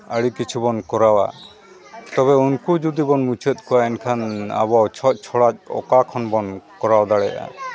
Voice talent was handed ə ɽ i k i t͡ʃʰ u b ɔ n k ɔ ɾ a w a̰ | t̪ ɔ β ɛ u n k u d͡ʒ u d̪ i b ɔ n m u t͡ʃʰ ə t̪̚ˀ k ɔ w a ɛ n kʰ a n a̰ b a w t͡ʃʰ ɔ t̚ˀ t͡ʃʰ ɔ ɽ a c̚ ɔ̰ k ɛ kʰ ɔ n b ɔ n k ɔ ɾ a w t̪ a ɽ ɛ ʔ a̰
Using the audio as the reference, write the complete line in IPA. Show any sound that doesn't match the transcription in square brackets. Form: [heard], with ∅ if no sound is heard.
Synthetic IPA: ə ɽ i k i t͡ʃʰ u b ɔ n k ɔ ɾ a w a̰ | t̪ ɔ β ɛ u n k u d͡ʒ u d̪ i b ɔ n m u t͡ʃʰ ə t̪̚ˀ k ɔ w a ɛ n kʰ a n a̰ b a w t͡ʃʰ ɔ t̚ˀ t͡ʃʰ ɔ ɽ a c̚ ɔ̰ k [a] kʰ ɔ n b ɔ n k ɔ ɾ a w [d̪] a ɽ ɛ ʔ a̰